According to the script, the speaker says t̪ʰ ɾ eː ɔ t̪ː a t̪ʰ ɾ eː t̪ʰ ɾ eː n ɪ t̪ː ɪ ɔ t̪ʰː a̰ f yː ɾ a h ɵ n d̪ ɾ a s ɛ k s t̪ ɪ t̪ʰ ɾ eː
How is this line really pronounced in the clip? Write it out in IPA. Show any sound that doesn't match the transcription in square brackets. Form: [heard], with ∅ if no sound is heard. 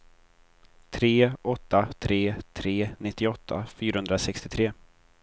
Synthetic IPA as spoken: t̪ʰ ɾ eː ɔ t̪ː a t̪ʰ ɾ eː t̪ʰ ɾ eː n ɪ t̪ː ɪ ɔ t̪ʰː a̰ f yː ɾ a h ɵ n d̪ ɾ a s ɛ k s t̪ ɪ t̪ʰ ɾ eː